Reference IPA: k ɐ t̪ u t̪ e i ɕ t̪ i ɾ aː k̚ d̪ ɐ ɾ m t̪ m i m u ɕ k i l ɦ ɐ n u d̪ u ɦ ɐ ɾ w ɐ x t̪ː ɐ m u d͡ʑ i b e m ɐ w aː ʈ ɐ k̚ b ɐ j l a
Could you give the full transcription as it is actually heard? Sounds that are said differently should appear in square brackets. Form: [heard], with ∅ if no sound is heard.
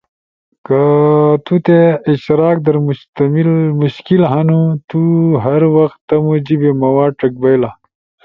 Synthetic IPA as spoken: k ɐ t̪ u t̪ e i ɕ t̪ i ɾ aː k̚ d̪ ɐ ɾ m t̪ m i m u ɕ k i l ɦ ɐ n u [t̪] u ɦ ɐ ɾ w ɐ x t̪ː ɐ m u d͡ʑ i b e m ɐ w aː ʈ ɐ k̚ b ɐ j l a